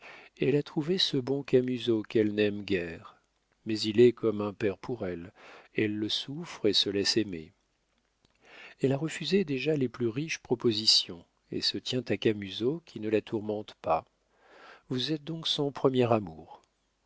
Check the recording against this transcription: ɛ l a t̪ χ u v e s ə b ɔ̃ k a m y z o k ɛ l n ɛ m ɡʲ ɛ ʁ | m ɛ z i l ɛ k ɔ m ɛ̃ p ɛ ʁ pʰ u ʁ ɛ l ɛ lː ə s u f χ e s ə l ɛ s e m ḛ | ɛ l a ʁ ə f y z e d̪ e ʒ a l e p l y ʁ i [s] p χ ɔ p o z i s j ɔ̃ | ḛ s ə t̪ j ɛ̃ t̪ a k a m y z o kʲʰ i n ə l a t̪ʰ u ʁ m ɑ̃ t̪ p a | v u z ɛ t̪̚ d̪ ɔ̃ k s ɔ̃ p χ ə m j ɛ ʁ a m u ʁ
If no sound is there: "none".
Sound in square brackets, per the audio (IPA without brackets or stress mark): ʃ